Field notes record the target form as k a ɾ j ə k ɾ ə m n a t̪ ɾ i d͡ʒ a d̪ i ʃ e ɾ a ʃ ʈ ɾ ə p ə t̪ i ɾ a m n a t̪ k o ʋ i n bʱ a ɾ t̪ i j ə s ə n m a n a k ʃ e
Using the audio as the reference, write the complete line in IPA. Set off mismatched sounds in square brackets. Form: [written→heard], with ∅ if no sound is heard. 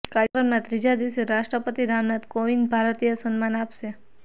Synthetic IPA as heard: k a ɾ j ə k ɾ ə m n a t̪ ɾ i d͡ʒ a d̪ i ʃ e ɾ a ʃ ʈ ɾ ə p ə t̪ i ɾ a m n a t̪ k o ʋ i n bʱ a ɾ t̪ i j ə s ə n m a n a [k→p] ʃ e